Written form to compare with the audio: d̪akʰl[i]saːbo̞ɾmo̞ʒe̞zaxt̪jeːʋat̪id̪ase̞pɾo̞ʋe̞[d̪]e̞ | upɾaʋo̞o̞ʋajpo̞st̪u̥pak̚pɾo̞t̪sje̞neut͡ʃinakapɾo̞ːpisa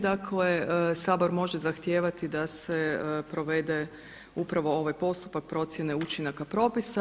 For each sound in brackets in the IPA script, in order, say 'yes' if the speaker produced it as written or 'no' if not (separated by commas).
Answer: no, yes